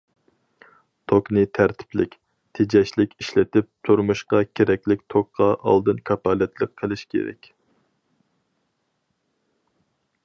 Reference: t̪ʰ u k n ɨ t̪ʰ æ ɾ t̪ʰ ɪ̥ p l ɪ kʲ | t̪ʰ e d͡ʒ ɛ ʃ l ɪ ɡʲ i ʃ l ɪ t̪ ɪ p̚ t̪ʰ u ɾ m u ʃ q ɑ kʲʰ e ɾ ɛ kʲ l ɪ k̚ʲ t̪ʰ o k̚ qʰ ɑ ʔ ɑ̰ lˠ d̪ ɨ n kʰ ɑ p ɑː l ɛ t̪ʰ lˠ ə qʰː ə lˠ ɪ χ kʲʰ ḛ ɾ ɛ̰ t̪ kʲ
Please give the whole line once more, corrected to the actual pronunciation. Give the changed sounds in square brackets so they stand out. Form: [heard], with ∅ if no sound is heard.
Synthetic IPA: t̪ʰ [o] k n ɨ t̪ʰ æ ɾ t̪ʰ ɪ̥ p l ɪ kʲ | t̪ʰ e d͡ʒ ɛ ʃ l ɪ [kʲ] i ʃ l ɪ t̪ ɪ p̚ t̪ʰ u ɾ m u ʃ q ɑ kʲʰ e ɾ ɛ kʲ l ɪ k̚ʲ t̪ʰ o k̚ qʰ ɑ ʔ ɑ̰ lˠ d̪ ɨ n kʰ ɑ p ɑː l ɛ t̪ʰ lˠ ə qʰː ə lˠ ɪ [ʃ] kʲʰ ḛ ɾ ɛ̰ [∅] kʲ